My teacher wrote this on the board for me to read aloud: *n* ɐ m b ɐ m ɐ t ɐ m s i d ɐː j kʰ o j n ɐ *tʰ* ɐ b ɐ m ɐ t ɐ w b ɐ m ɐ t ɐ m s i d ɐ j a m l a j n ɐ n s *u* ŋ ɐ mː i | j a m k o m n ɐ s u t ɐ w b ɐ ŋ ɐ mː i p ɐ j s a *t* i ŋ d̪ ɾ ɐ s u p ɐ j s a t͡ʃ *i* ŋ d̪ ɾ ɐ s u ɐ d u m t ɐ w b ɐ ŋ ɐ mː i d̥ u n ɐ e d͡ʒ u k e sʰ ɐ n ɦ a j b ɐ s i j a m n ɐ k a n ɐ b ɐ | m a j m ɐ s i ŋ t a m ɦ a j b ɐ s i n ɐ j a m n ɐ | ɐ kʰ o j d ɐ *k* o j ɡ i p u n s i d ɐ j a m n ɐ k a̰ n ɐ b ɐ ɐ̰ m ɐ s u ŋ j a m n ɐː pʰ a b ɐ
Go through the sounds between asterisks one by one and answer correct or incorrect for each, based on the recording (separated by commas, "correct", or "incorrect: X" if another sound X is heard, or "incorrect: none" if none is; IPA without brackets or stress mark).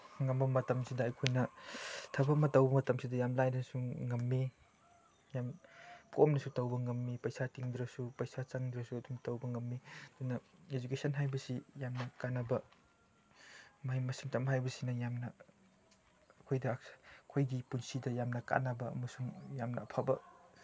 incorrect: ŋ, correct, correct, correct, incorrect: a, incorrect: kʰ